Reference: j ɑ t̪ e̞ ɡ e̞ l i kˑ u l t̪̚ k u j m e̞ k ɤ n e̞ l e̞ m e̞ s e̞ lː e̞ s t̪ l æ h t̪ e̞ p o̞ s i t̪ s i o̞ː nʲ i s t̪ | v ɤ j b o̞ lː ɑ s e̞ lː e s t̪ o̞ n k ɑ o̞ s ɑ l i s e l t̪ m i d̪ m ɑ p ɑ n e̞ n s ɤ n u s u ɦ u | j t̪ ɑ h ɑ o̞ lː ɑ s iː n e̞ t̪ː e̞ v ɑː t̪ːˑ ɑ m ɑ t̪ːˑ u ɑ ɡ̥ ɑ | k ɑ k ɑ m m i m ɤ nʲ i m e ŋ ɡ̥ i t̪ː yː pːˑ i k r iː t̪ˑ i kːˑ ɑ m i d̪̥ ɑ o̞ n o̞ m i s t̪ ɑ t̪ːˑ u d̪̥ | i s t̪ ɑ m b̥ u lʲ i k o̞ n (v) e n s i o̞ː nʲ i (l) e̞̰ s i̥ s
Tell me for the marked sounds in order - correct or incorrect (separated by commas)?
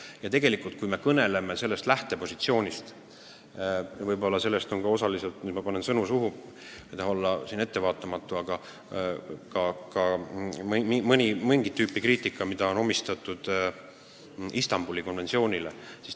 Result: correct, correct